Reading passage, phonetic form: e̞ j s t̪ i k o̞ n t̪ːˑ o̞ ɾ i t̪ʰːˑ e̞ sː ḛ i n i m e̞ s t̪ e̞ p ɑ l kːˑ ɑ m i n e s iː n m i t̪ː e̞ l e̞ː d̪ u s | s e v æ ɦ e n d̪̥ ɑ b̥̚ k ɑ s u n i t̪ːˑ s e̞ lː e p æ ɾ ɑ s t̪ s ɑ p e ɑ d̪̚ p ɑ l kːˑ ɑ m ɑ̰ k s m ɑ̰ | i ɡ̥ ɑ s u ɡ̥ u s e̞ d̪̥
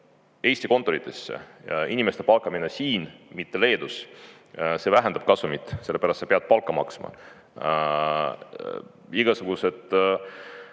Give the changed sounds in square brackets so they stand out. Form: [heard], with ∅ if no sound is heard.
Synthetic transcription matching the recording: e̞ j s t̪ i k o̞ n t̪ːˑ o̞ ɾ i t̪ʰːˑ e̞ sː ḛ i n i m e̞ s t̪ e̞ p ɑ l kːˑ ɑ m i n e s iː n m i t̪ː e̞ l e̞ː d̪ u s | s e v æ ɦ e n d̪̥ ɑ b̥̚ k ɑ s u [m] i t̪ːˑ s e̞ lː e p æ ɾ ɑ s t̪ s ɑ p e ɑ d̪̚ p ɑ l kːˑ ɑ m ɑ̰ k s m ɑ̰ | i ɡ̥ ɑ s u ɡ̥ u s e̞ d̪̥